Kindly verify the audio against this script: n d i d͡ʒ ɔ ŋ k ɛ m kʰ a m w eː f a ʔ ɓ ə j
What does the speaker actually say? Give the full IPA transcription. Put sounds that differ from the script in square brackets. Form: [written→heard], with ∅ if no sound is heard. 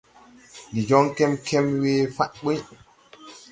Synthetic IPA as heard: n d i d͡ʒ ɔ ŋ k ɛ m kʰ [a→ɛ] m w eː f a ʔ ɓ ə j